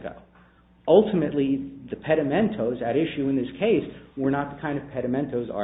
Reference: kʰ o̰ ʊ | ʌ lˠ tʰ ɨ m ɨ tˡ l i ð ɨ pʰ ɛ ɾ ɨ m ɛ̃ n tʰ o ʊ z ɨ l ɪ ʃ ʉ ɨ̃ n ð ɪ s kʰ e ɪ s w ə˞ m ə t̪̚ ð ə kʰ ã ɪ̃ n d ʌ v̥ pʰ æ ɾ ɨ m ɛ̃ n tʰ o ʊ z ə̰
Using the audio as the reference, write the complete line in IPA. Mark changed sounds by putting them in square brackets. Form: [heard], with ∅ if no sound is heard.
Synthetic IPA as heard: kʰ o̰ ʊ | ʌ lˠ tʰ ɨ m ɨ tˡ l i ð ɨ pʰ ɛ ɾ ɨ m ɛ̃ n tʰ o ʊ z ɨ [ɾ] ɪ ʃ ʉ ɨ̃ n ð ɪ s kʰ e ɪ s w ə˞ [n] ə t̪̚ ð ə kʰ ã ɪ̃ n d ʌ v̥ pʰ [ɛ] ɾ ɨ m ɛ̃ n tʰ o ʊ z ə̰